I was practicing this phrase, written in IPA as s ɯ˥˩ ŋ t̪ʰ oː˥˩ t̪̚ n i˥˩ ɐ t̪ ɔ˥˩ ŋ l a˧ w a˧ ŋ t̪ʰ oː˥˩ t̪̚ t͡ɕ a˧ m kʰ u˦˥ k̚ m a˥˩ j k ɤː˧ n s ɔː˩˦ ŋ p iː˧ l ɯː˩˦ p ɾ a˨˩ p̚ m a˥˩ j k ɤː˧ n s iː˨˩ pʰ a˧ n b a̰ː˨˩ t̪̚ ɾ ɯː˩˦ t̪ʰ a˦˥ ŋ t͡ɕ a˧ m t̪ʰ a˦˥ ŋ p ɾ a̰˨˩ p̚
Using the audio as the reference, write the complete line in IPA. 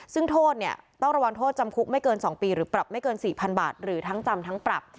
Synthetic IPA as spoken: s ɯ˥˩ ŋ t̪ʰ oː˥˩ t̪̚ n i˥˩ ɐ t̪ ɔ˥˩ ŋ ɾ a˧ w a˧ ŋ t̪ʰ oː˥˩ t̪̚ t͡ɕ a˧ m kʰ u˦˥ k̚ m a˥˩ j k ɤː˧ n s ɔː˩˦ ŋ p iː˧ ɾ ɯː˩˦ p ɾ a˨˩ p̚ m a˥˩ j k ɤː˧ n s iː˨˩ pʰ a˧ n b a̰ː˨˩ t̪̚ ɾ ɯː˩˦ t̪ʰ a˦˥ ŋ t͡ɕ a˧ m t̪ʰ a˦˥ ŋ p ɾ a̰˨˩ p̚